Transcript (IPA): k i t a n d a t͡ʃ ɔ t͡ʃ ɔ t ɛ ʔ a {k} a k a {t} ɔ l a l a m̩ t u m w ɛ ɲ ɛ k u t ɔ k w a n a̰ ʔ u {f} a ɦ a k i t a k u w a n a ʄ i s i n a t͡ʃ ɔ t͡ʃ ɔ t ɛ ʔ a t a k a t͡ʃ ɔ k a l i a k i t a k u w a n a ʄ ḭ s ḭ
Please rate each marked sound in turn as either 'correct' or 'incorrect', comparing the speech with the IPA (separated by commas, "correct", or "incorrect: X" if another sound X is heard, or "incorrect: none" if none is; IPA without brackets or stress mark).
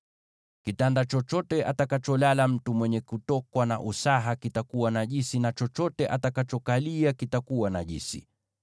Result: incorrect: t, incorrect: t͡ʃ, incorrect: s